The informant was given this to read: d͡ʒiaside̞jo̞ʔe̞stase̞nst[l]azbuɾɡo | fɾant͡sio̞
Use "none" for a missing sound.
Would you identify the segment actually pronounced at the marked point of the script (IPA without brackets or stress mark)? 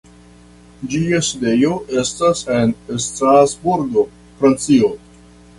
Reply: ɾ